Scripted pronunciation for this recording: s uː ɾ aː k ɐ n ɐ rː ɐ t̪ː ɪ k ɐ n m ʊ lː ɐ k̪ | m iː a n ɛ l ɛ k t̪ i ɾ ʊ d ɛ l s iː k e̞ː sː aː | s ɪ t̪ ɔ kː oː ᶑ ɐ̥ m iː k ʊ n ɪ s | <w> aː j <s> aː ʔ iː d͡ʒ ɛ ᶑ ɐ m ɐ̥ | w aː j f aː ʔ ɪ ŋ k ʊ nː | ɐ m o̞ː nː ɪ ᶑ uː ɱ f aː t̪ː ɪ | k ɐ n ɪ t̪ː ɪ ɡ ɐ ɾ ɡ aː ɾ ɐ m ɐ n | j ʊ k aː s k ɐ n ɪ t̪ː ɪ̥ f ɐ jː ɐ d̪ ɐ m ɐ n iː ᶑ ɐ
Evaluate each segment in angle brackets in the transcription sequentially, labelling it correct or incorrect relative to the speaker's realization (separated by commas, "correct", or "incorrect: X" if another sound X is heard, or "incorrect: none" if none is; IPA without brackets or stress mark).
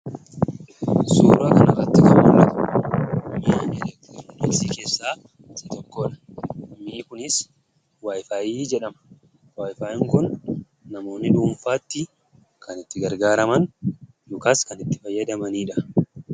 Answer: correct, incorrect: f